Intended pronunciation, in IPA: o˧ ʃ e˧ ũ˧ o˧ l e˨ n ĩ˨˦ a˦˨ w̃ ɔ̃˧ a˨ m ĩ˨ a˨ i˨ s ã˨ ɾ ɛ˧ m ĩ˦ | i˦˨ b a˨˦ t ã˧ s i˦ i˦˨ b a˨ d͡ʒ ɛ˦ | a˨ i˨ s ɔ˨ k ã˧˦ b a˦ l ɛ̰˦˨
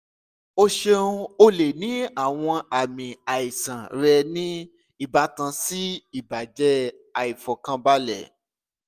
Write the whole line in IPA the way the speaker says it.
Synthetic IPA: o˧ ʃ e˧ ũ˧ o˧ l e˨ n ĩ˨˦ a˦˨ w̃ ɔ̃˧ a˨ m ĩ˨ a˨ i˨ s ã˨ ɾ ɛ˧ n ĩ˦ | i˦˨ b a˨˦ t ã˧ s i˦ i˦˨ b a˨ d͡ʒ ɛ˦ | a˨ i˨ f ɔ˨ k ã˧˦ b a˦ l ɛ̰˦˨